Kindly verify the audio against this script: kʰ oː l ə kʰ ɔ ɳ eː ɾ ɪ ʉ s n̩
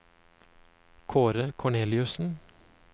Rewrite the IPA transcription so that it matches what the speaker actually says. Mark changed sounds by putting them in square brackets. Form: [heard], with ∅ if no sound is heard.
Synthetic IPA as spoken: kʰ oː [ɾ] ə kʰ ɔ ɳ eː [l] ɪ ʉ s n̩